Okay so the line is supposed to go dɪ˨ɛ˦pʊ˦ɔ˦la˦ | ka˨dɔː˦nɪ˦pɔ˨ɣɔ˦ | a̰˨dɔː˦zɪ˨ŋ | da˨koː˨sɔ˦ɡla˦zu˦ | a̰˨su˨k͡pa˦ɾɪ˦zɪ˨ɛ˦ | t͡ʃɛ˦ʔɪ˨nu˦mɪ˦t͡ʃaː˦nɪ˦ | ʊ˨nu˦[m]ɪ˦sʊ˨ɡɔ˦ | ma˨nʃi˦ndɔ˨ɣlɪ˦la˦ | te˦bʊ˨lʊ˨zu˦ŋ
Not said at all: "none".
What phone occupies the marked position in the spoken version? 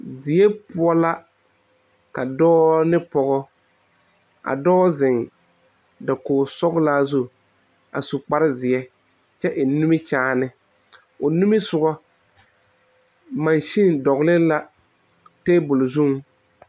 m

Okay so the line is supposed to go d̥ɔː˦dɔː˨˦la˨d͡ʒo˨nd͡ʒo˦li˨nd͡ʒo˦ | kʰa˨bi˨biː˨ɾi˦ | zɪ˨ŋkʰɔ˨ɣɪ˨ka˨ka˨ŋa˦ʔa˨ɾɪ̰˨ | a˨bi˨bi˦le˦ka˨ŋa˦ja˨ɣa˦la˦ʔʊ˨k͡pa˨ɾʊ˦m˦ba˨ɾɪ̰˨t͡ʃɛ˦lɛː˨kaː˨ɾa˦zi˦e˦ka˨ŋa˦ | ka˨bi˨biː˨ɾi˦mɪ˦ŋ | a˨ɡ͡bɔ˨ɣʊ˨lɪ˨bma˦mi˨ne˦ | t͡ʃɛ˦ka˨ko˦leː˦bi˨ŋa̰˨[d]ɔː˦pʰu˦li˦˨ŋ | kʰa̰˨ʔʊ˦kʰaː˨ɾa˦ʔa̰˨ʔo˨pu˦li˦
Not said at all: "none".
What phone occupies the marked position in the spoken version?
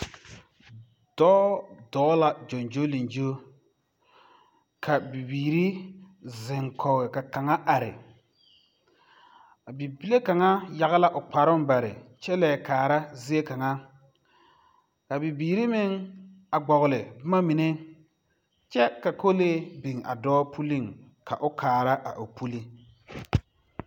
d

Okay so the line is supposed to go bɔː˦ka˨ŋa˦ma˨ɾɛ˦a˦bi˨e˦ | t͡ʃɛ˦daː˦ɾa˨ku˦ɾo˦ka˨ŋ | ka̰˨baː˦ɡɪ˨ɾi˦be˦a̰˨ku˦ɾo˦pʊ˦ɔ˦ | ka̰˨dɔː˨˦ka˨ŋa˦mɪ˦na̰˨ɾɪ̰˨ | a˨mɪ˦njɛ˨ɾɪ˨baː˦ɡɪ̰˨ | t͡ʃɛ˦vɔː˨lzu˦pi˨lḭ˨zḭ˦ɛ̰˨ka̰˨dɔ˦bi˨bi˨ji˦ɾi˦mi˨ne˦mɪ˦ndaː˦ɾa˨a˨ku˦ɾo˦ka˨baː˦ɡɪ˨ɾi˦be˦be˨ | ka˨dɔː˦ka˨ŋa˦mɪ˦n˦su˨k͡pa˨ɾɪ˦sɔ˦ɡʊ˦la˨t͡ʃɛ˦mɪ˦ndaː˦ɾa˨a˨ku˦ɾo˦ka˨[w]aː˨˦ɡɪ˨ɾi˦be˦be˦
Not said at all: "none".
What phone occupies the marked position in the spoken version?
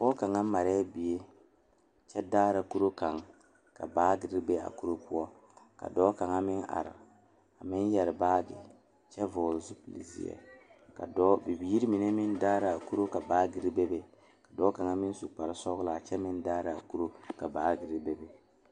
b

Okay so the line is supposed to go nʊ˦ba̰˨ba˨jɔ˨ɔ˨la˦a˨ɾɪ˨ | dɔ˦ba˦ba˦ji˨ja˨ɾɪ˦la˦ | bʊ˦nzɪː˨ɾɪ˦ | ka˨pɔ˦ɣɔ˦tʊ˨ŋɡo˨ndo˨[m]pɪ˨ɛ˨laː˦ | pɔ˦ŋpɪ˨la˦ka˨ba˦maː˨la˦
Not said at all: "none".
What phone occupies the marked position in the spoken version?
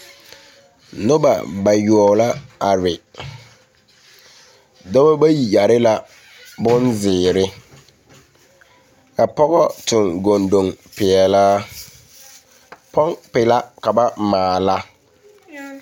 ŋ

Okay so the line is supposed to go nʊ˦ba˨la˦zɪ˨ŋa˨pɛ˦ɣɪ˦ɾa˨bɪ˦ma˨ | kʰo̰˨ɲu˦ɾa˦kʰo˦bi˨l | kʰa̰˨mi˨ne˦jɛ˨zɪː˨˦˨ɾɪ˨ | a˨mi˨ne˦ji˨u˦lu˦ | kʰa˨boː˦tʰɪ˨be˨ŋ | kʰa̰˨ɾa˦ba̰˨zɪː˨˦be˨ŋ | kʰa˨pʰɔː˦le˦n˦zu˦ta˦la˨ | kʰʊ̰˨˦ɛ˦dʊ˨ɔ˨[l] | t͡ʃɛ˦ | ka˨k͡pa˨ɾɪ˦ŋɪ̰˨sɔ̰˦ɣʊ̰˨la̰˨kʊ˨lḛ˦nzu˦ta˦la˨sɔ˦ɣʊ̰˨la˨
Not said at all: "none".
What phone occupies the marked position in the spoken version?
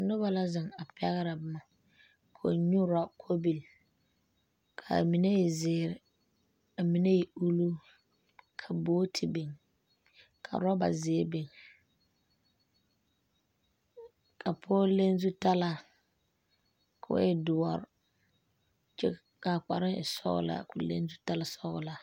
ɾ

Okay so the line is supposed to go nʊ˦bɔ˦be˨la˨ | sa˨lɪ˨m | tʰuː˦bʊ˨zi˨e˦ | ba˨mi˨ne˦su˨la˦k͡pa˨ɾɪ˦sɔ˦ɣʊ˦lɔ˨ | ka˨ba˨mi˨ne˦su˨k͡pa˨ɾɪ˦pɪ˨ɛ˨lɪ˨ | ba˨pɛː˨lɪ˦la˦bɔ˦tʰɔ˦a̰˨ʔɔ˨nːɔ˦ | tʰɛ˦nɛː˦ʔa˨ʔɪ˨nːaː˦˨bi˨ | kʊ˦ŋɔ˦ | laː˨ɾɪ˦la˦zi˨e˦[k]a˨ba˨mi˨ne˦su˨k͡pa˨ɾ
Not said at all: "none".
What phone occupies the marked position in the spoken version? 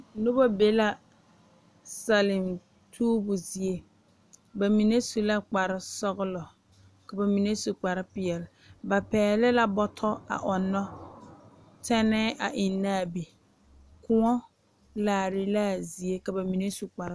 k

